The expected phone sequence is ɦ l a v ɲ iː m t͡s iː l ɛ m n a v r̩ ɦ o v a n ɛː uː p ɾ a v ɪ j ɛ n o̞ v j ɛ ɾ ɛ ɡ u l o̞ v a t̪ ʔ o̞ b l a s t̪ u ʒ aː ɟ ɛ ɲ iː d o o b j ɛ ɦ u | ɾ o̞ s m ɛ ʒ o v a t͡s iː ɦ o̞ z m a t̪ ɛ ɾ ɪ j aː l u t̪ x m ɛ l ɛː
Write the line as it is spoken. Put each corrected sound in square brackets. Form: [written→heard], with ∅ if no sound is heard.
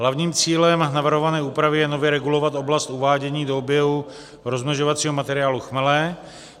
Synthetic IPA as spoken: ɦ l a v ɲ iː m t͡s iː l ɛ m n a v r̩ ɦ o v a n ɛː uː p ɾ a v ɪ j ɛ n o̞ v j ɛ ɾ ɛ ɡ u l o̞ v a t̪ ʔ o̞ b l a s t̪ u [ʒ→v] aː ɟ ɛ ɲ iː d o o b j ɛ ɦ u | ɾ o̞ [s→z] m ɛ ʒ o v a t͡s iː ɦ o̞ [z→∅] m a t̪ ɛ ɾ ɪ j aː l u [t̪→∅] x m ɛ l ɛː